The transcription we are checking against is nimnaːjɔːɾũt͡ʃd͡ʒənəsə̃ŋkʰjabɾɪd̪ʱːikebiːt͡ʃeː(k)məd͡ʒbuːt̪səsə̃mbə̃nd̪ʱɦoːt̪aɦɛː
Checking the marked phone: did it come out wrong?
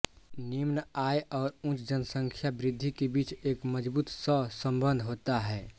no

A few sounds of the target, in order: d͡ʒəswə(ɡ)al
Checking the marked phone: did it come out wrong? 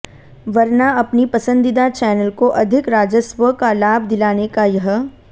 yes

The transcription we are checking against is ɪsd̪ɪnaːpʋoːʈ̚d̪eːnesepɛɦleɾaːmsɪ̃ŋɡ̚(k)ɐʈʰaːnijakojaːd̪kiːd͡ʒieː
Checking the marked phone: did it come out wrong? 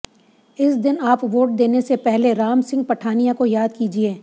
yes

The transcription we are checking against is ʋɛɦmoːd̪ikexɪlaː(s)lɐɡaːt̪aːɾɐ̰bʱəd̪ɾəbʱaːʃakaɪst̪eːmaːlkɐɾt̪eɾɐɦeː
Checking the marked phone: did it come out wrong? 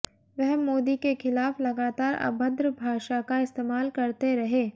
yes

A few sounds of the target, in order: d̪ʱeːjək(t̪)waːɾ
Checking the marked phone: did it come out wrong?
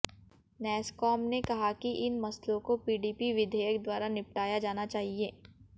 yes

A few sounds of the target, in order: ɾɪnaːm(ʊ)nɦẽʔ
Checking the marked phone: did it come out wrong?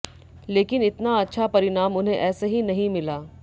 no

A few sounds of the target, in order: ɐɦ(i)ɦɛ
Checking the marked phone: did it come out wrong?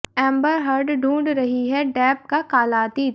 no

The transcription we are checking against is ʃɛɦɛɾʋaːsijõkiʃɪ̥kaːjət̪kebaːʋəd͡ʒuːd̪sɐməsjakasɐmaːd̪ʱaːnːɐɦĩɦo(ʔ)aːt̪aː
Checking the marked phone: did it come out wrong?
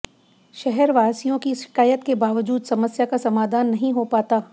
yes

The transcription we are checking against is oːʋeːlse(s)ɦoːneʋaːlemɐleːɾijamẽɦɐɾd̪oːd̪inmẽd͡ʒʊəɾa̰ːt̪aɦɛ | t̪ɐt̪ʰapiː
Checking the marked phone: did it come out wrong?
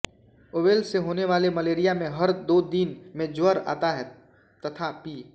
yes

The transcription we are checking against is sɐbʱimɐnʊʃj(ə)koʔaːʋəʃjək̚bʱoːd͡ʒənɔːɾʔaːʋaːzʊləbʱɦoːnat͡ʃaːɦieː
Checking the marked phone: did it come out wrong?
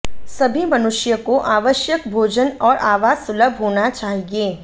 no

